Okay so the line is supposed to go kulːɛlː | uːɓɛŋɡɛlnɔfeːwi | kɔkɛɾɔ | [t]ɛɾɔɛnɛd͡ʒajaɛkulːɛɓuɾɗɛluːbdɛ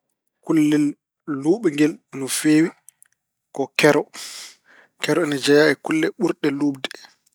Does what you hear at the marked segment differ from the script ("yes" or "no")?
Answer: yes